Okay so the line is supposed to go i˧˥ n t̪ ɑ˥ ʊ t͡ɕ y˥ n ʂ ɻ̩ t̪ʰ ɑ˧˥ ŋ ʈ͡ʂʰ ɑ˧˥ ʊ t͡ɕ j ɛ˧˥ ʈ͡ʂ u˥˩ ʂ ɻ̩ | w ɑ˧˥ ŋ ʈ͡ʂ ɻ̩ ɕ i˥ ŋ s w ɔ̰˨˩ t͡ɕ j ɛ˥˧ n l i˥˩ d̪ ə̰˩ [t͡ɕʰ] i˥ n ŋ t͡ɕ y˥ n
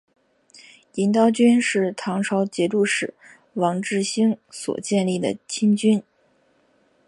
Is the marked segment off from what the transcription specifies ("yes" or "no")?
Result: no